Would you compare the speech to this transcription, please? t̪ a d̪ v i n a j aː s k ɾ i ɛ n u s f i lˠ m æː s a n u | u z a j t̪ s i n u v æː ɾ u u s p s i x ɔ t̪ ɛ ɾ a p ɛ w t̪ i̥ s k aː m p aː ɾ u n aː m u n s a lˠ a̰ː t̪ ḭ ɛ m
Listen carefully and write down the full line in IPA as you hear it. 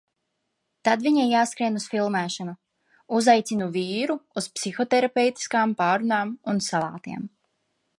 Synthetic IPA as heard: t̪ a d̪ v i ɲ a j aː s k ɾ i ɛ n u s f i lˠ m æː ʃ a n u | u z a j t̪ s i n u v iː ɾ u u s p s i x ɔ t̪ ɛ ɾ a p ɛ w t̪ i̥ s k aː m p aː ɾ u n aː m u n s a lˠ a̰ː t̪ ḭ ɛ m

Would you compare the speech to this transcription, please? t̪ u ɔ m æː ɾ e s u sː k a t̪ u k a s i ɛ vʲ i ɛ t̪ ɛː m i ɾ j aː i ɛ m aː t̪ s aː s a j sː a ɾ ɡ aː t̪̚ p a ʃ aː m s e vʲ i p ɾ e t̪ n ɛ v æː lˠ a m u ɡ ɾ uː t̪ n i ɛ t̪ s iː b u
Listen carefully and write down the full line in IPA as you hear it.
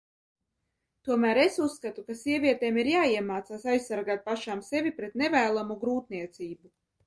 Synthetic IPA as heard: t̪ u ɔ m æː ɾ e s u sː k a t̪ u k a s i ɛ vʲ i ɛ t̪ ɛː m i ɾ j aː i ɛ m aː t̪ s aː s a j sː a ɾ ɡ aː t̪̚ p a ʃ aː m s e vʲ i p ɾ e t̪ n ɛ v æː lˠ a m u ɡ ɾ uː t̪ n i ɛ t̪ s iː b u

